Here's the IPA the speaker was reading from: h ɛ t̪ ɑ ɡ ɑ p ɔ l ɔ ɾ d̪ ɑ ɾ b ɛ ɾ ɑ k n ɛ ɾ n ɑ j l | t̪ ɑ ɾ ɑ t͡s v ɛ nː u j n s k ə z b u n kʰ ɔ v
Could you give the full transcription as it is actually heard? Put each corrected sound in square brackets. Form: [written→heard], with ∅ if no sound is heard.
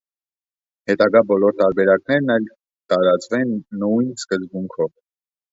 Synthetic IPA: h ɛ t̪ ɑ ɡ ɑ [p→b] ɔ l ɔ ɾ [d̪→t̪] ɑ ɾ b ɛ ɾ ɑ k n ɛ ɾ n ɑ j l | t̪ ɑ ɾ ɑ t͡s v ɛ nː u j n s k ə z b u [n→ŋ] kʰ ɔ v